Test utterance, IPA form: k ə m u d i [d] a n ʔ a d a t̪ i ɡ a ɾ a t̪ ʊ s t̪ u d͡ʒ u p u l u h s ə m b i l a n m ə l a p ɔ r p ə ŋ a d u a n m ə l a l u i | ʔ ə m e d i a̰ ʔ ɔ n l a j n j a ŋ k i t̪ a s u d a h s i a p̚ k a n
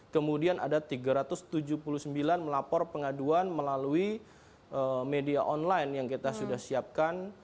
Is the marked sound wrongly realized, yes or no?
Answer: yes